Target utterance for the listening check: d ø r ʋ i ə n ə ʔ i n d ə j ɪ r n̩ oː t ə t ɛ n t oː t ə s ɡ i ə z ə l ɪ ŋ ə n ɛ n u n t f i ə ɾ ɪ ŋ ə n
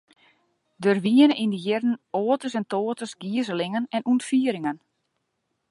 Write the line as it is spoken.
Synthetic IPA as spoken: d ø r ʋ i ə n ə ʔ i n d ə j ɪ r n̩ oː t ə s ɛ n t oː t ə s ɡ i ə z ə l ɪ ŋ ə n ɛ n u n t f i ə ɾ ɪ ŋ ə n

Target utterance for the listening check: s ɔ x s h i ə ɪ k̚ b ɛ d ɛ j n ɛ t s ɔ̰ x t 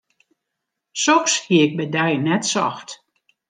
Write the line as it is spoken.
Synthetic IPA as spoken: s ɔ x s h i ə ɪ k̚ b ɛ d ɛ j n ɛ t s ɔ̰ x t

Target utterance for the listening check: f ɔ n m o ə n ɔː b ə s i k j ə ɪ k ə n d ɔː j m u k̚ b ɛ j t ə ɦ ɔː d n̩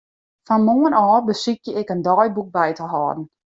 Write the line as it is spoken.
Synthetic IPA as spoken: f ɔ n m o ə n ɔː b ə s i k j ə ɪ k ə n d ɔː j b u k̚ b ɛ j t ə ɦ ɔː d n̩

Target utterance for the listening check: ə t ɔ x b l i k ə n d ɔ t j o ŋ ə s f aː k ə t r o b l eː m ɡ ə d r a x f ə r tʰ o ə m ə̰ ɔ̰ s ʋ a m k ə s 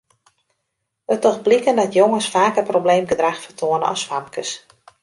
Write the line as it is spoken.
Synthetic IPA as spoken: ə t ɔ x b l i k ə n d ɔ t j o ŋ ə s f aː k ə p r o b l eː m ɡ ə d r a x f ə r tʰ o ə n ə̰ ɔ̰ s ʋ a m k ə s

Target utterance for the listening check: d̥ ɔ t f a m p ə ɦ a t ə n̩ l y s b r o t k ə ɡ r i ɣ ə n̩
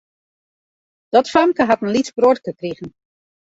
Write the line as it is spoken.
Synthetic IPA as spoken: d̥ ɔ t f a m k ə ɦ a t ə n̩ l i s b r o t k ə k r i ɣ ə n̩

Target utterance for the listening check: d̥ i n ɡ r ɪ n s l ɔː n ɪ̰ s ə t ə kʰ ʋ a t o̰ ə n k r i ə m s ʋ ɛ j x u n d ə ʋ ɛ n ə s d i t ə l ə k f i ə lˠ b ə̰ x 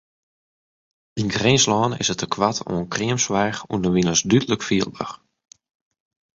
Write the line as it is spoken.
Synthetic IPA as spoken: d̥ i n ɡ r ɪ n s l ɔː n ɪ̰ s ə t ə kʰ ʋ a t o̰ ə n k r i ə m s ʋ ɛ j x u n d ə ʋ i n ə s d y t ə l ə k f i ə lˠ b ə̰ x

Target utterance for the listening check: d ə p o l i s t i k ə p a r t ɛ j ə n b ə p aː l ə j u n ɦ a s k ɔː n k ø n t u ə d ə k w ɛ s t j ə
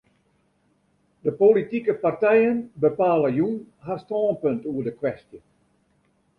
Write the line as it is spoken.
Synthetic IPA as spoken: d ə p o l i t i k ə p a r t ɛ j ə n b ə p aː l ə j u n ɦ a s t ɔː n p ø n t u ə d ə k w ɛ s t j ə

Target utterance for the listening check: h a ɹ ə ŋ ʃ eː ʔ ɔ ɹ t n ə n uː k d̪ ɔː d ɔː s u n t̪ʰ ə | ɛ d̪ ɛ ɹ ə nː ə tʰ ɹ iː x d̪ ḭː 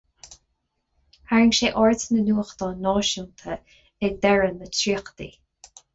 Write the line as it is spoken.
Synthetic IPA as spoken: h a ɹ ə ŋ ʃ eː ʔ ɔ ɹ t n ə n uː x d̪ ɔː n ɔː ʃ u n t̪ʰ ə | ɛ d̪ ɛ ɹ ə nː ə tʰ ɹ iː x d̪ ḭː

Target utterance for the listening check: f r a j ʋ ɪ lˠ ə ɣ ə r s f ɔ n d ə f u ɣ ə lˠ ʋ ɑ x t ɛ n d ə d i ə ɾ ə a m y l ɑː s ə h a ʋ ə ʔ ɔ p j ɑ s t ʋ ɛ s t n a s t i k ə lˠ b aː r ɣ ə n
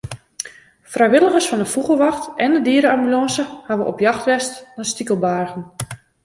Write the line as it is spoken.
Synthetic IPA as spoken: f r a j ʋ ɪ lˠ ə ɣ ə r s f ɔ n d ə f u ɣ ə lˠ ʋ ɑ x t ɛ n d ə d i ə ɾ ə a m y l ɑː s ə h a ʋ ə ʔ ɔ p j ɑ x t ʋ ɛ s t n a s t i k ə lˠ b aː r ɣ ə n

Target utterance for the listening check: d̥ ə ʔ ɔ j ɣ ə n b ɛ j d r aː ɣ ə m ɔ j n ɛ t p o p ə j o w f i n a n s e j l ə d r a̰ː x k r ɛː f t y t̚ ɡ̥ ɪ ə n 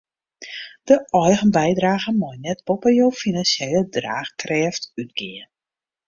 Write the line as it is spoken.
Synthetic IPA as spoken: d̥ ə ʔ ɔ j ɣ ə n b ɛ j d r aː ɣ ə m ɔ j n ɛ t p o p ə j o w f i n a n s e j l ə d r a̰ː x k r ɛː f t y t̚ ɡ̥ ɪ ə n

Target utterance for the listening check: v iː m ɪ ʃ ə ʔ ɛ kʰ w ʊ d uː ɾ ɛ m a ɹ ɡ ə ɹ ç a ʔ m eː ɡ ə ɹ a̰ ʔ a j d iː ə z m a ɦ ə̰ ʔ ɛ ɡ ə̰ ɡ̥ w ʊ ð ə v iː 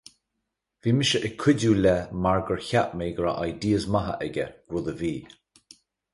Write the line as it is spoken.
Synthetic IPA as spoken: v iː m ɪ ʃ ə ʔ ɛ kʰ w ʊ d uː l ɛ m a ɹ ɡ ə ɹ ç a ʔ m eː ɡ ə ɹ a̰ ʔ a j d iː ə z m a ɦ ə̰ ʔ ɛ ɡ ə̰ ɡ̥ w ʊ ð ə v iː

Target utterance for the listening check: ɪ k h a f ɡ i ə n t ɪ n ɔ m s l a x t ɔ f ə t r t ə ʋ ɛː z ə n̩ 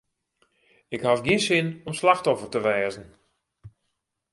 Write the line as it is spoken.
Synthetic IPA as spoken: ɪ k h a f ɡ i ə n s ɪ n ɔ m s l a x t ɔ f ə r t ə ʋ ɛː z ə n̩

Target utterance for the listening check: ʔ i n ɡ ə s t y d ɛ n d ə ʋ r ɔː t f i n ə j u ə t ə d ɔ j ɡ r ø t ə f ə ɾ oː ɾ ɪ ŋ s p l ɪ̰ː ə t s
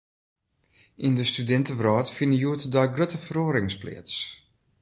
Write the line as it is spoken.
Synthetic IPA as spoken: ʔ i n d ə s t y d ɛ n t ə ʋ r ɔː t f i n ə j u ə t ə d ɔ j ɡ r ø t ə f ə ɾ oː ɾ ɪ ŋ s p l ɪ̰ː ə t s

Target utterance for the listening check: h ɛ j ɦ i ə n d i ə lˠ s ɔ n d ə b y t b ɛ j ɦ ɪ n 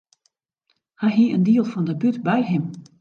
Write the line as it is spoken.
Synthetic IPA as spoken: h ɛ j ɦ i ə n d i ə lˠ f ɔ n d ə b y t b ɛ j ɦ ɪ m

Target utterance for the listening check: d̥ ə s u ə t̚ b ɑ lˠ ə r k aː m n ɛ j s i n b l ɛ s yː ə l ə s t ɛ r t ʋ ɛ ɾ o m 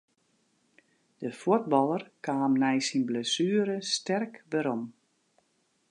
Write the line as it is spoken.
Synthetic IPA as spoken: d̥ ə f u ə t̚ b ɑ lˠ ə r k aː m n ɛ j s i n b l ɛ s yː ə ɾ ə s t ɛ r k ʋ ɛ ɾ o m

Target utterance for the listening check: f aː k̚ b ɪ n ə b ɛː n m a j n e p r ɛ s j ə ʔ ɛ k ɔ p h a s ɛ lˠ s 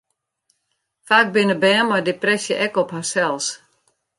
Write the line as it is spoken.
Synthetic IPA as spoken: f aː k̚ b ɪ n ə b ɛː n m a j d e p r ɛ s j ə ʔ ɛ k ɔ p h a s ɛ lˠ s

